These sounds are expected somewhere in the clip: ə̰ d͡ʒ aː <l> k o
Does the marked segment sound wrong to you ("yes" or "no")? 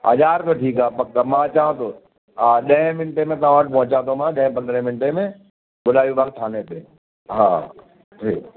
yes